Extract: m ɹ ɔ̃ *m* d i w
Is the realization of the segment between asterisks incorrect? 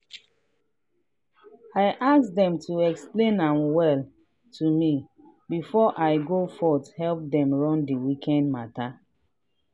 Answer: yes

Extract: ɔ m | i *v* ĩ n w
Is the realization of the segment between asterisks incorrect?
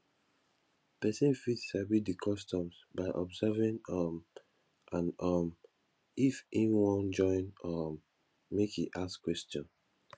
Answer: yes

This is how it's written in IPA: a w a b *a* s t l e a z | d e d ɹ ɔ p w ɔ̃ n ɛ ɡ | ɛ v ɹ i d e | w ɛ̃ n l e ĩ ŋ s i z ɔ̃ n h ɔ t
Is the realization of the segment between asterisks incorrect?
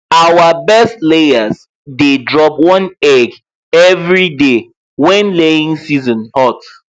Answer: yes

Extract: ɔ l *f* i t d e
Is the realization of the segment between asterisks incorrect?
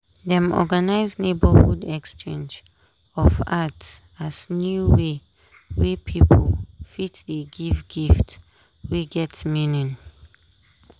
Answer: no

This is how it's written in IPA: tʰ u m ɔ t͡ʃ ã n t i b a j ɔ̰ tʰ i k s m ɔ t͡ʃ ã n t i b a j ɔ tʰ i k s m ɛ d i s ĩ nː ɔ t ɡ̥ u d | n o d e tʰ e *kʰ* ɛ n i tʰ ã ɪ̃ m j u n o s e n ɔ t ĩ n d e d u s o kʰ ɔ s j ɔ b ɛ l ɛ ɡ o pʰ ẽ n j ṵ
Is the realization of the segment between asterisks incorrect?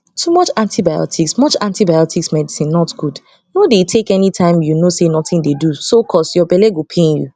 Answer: yes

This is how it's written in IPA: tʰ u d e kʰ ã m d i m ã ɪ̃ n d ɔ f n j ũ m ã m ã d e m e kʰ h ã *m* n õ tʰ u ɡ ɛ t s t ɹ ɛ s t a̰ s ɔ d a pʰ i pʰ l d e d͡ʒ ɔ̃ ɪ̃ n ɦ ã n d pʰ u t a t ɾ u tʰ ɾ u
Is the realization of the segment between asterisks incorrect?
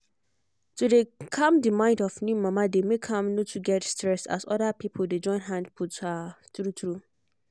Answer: no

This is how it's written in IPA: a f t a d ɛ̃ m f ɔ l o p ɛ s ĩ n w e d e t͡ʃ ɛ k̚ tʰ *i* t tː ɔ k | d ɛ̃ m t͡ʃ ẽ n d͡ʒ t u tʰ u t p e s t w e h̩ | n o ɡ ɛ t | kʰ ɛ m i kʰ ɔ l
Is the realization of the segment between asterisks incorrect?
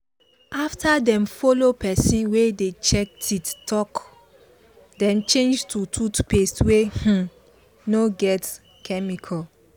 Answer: no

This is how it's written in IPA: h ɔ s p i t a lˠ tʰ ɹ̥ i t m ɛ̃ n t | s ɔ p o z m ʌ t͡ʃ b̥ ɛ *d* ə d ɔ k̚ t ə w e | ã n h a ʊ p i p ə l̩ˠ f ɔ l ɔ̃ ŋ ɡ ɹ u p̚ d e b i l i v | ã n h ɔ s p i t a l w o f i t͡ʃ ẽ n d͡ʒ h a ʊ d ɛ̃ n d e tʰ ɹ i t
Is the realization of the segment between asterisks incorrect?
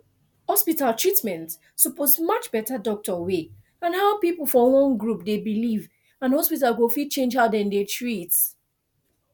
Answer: yes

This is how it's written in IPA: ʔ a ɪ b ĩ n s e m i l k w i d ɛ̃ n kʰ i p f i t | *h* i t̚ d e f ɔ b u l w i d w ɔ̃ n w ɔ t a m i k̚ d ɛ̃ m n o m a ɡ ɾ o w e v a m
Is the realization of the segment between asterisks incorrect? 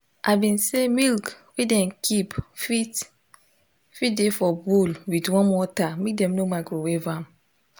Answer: yes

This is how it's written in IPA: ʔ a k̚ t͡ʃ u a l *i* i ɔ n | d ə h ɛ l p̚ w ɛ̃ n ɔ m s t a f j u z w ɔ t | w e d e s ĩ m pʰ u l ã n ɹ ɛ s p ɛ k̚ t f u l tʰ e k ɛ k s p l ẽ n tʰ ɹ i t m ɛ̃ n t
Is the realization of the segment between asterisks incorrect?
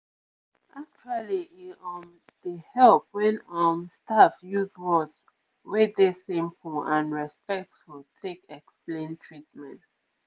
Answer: no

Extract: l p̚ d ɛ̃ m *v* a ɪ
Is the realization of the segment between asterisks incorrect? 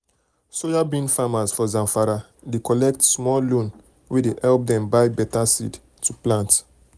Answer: yes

